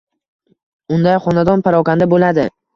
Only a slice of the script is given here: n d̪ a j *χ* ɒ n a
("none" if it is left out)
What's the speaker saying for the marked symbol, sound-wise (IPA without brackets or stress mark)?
χ